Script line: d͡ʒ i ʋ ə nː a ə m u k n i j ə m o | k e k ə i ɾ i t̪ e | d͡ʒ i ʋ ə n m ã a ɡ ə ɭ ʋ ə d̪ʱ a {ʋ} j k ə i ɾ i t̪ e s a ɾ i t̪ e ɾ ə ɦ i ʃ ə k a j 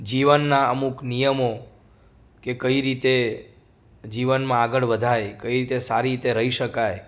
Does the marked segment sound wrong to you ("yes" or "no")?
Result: yes